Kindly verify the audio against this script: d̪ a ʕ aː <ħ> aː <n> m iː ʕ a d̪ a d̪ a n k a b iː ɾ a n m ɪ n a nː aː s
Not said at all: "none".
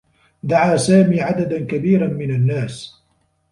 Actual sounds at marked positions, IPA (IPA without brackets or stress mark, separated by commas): s, none